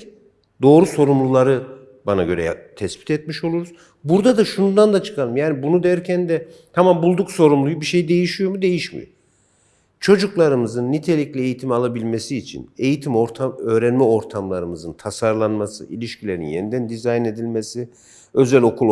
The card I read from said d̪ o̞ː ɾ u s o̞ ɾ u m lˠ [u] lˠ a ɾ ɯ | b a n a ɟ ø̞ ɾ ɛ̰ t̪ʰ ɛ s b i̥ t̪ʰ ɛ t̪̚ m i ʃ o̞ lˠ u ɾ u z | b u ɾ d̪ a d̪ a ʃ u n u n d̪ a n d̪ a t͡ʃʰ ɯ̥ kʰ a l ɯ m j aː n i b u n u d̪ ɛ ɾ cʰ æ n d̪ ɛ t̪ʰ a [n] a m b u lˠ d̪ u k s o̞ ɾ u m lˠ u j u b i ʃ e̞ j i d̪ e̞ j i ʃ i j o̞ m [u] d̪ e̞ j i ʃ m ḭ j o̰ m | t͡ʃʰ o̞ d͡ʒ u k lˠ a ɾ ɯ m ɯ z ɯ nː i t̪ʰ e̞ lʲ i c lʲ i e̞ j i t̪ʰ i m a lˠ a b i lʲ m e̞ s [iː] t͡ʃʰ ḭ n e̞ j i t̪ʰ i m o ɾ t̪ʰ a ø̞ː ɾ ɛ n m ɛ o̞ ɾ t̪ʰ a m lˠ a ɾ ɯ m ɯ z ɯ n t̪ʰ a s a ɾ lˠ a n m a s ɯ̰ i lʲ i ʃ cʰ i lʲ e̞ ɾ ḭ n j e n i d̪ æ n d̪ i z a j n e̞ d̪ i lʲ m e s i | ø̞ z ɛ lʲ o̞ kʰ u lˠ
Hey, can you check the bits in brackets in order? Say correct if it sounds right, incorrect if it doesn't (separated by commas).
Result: correct, incorrect, correct, correct